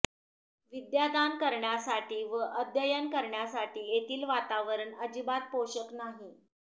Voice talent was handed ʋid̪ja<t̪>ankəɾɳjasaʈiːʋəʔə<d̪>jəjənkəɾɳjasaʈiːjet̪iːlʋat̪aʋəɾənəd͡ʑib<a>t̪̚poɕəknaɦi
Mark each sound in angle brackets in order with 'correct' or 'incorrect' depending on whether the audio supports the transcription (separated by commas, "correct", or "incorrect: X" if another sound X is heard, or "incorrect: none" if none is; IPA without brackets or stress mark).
incorrect: d̪, correct, correct